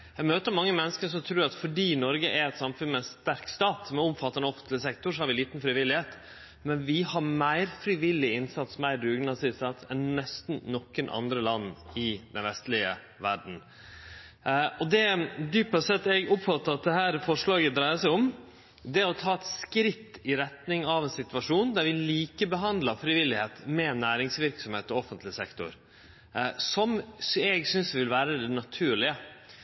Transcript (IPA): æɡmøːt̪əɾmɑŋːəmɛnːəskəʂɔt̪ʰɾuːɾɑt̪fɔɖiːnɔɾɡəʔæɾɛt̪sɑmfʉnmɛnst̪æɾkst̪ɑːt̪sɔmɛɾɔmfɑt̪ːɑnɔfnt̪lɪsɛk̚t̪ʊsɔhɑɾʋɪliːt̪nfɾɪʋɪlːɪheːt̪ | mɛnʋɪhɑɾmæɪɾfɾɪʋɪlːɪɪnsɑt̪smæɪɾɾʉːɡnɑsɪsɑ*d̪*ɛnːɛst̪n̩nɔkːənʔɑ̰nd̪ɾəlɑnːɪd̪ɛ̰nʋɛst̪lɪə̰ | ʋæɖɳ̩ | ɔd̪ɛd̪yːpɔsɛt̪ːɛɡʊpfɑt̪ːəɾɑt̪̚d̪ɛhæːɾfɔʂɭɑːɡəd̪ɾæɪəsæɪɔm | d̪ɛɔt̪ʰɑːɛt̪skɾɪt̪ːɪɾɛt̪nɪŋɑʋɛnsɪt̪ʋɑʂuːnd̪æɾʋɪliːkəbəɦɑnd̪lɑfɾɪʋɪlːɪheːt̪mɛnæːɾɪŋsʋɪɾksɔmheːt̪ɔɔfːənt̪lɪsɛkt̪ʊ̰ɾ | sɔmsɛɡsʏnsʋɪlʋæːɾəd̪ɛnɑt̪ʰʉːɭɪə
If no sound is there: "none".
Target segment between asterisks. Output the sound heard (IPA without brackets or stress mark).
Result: t̪